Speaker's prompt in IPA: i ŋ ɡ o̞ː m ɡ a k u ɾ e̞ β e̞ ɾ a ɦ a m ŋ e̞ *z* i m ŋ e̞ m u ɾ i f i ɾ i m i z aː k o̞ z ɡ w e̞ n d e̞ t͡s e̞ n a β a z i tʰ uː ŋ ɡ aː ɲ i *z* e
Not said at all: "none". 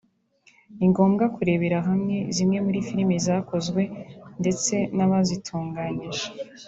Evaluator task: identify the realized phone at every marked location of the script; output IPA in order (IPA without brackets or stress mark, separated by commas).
z, ʒ